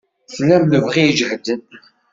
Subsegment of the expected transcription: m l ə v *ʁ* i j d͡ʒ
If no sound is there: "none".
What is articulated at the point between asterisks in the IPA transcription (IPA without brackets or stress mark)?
ʁ